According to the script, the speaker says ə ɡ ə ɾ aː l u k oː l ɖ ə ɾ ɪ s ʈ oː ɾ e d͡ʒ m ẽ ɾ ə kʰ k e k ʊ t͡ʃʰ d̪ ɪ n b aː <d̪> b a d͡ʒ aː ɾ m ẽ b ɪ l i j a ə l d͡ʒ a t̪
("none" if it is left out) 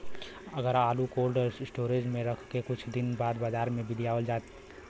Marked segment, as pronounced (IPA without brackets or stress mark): d̪